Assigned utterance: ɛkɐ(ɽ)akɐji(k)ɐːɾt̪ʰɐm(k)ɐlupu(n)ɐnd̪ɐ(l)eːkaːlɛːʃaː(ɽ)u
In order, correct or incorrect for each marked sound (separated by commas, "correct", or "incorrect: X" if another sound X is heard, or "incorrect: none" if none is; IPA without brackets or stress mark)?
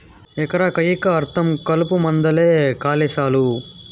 incorrect: ɾ, correct, correct, incorrect: m, correct, incorrect: l